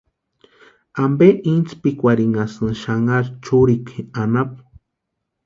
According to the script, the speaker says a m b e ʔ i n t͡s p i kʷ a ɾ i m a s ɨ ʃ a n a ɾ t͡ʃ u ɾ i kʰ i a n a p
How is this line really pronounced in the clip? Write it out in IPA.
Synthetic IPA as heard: a m b e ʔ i n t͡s p i kʷ a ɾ i ŋ a s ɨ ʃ a ŋ a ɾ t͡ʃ u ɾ i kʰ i a n a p